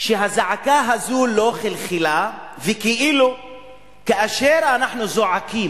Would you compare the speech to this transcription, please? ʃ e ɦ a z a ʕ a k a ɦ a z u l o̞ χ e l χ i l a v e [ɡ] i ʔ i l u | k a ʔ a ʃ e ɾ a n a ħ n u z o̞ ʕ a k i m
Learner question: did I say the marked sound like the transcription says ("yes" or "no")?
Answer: no